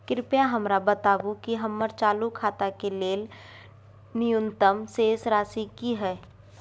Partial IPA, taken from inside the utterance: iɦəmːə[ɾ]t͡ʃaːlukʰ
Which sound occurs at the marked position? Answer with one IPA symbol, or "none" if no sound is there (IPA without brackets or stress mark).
ɾ